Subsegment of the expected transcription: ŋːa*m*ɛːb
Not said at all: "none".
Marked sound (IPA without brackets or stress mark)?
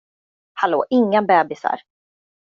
b